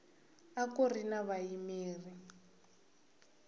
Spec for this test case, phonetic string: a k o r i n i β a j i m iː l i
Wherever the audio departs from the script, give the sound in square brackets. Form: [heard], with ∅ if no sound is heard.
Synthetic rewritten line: a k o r i n [a] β a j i m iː [r] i